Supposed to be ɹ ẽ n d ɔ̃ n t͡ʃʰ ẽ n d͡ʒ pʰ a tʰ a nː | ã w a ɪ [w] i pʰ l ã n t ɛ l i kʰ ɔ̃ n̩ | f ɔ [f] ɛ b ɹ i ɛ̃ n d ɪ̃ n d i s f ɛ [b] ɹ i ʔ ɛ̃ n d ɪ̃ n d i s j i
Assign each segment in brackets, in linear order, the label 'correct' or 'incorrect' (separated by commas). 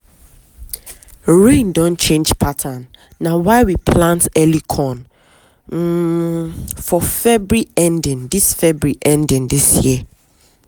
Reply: correct, correct, correct